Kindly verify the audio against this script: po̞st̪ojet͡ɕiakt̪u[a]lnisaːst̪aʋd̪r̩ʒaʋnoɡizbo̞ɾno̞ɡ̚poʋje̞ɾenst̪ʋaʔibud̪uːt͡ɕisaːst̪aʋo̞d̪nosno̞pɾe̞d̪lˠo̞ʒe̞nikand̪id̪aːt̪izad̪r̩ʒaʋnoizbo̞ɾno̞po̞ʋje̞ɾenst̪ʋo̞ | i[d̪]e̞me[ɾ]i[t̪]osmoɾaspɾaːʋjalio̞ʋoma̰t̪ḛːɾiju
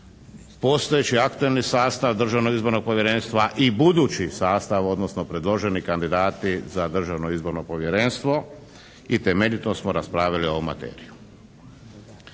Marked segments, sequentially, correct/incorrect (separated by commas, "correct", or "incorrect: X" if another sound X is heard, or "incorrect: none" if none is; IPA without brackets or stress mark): incorrect: e, incorrect: t̪, incorrect: ʎ, correct